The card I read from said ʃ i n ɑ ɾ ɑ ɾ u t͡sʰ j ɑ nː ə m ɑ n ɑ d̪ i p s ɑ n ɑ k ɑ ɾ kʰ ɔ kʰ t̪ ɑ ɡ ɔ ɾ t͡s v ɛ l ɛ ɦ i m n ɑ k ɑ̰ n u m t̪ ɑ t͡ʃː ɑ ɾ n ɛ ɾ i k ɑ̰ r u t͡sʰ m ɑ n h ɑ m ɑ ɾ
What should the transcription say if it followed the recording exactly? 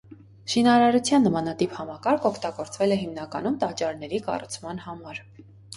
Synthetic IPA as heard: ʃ i n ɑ ɾ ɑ ɾ u t͡sʰ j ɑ nː ə m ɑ n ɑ t̪ i p h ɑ m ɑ k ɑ ɾ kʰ ɔ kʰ t̪ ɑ ɡ ɔ ɾ t͡s v ɛ l ɛ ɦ i m n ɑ k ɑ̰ n u m t̪ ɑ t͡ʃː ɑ ɾ n ɛ ɾ i k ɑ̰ r u t͡sʰ m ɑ n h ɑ m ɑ ɾ